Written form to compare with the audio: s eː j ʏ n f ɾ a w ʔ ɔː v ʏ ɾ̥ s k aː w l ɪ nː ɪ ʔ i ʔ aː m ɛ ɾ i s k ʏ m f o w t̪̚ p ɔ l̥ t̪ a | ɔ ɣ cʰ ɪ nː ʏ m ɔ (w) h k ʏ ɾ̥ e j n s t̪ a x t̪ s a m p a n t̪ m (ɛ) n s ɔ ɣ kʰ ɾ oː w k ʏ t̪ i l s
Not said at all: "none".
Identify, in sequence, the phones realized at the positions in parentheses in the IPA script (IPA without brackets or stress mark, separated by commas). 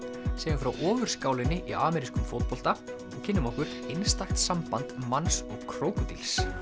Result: none, a